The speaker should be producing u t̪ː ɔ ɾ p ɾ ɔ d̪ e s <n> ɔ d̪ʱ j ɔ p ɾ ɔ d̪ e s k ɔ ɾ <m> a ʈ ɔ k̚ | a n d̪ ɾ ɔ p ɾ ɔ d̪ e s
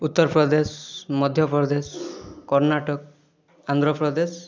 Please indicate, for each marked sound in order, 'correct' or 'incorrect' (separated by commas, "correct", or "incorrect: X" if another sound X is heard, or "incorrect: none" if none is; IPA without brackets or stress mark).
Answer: incorrect: m, incorrect: n